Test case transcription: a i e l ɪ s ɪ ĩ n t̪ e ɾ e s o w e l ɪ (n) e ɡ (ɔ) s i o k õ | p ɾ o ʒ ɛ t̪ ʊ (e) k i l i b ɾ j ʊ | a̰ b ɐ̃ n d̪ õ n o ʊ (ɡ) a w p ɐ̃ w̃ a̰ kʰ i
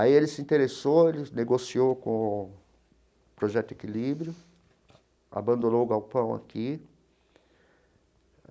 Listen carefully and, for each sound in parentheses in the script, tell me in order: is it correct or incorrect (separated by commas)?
correct, incorrect, correct, correct